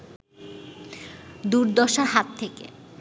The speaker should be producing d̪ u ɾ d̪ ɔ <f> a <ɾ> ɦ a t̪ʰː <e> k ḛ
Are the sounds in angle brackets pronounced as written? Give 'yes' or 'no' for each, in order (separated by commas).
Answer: no, yes, yes